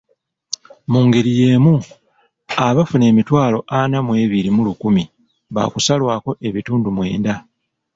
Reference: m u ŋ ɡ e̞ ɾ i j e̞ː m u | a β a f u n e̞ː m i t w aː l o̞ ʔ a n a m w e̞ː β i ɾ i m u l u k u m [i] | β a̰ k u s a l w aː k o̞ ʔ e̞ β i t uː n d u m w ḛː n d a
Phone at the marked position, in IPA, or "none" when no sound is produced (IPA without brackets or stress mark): i